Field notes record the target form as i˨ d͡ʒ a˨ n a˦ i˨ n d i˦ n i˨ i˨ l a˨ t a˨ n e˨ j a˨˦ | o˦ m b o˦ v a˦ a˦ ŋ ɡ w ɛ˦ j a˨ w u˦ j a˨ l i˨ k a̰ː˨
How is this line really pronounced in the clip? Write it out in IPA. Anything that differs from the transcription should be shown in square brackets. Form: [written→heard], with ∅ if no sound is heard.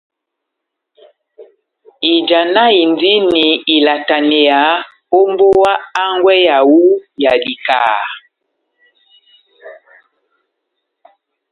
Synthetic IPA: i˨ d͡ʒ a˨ n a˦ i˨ n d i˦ n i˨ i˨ l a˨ t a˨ n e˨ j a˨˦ | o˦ m b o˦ [v→w] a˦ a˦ ŋ ɡ w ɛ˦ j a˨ w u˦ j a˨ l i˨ k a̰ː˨